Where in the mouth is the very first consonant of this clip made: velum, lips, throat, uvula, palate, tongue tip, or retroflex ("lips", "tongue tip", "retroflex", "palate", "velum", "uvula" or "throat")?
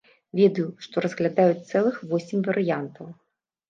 lips